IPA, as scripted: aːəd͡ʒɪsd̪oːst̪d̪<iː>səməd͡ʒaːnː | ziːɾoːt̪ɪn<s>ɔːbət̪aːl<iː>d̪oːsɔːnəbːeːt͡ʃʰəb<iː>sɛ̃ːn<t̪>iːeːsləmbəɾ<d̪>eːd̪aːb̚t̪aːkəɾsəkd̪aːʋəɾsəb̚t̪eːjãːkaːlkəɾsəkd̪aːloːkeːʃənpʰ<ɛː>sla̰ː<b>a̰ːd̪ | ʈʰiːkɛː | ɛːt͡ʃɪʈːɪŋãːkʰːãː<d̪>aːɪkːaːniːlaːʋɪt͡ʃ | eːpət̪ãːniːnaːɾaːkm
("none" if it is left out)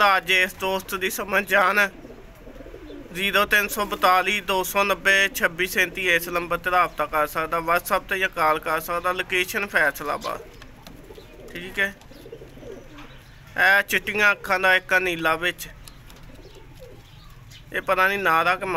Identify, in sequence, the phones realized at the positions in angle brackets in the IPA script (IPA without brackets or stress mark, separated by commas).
iː, s, iː, iː, t̪, t̪, ɛː, b, d̪